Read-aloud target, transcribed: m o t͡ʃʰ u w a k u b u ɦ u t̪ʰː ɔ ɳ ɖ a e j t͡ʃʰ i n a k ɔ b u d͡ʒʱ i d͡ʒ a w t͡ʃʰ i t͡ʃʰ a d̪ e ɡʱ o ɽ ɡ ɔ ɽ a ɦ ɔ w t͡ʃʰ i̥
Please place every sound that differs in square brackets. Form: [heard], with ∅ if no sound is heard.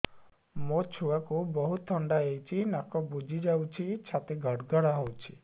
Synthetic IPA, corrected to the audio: m o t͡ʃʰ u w a k u b [ɔ] ɦ u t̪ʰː ɔ ɳ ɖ a e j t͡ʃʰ i n a k ɔ b u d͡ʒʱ i d͡ʒ a w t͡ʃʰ i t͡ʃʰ a [t̪] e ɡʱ [ɔ] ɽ ɡ ɔ ɽ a ɦ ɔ w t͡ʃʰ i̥